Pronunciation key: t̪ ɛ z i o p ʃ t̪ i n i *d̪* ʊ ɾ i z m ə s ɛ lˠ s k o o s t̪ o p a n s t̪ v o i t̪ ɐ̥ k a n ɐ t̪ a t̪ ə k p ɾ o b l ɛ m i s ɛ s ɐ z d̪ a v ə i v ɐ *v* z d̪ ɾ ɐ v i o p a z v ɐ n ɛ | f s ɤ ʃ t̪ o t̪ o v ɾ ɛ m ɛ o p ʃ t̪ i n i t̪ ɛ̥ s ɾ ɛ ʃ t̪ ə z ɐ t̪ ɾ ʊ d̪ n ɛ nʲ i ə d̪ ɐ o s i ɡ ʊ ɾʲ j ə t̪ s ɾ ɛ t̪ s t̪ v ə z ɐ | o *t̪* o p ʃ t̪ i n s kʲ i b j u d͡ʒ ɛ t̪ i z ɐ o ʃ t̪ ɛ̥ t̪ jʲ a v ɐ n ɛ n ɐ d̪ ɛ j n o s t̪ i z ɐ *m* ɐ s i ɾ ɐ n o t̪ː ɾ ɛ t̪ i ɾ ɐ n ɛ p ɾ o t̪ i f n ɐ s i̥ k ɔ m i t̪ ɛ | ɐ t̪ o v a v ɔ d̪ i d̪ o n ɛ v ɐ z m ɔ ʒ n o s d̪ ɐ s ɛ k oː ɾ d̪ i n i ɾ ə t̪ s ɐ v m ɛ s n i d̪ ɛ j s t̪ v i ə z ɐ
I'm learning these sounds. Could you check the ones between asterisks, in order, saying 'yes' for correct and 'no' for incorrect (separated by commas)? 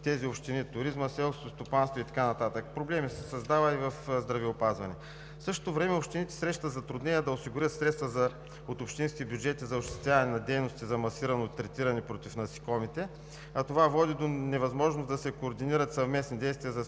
no, no, yes, yes